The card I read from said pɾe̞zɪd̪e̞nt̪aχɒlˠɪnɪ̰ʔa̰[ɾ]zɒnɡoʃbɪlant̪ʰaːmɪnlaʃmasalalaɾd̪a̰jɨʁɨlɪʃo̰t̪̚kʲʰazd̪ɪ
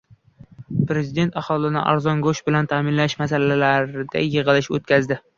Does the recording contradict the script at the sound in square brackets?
no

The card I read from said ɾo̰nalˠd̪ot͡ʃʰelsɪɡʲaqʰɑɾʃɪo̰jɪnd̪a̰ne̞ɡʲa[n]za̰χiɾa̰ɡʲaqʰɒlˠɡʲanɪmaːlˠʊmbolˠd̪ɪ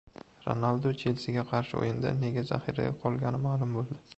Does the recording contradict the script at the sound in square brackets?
yes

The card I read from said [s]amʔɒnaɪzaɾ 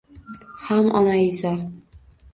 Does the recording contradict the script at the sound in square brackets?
yes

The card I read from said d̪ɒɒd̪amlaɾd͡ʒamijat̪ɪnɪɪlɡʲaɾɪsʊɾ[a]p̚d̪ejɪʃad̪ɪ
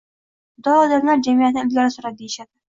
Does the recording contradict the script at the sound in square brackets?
no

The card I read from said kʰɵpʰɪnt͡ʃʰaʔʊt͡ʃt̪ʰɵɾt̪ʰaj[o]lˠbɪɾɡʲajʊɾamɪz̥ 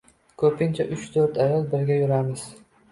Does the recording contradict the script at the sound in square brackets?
yes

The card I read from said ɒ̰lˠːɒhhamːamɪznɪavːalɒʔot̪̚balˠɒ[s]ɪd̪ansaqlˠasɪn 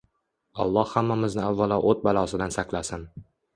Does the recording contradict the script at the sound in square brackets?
no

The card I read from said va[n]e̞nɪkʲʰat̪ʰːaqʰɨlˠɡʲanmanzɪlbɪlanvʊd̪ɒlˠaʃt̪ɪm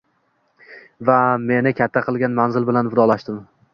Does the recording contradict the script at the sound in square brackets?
yes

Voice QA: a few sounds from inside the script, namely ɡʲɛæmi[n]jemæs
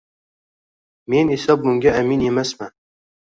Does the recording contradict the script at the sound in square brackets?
no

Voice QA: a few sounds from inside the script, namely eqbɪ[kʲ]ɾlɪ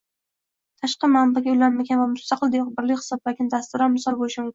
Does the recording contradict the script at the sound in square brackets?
yes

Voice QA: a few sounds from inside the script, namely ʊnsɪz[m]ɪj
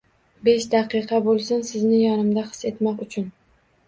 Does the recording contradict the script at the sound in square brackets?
yes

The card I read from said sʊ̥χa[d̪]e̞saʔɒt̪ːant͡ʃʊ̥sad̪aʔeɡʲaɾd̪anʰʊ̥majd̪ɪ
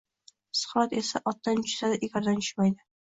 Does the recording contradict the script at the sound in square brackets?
yes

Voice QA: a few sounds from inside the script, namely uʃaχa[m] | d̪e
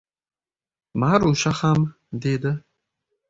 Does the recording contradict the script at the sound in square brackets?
no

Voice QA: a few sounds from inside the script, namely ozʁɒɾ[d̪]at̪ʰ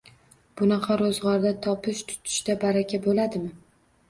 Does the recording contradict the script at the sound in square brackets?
no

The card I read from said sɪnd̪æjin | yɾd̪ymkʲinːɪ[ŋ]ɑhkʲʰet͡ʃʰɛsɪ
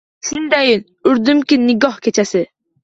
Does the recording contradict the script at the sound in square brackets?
yes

